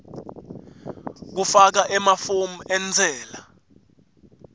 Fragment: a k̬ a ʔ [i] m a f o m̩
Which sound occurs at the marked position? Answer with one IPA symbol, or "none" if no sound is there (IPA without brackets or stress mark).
ɛ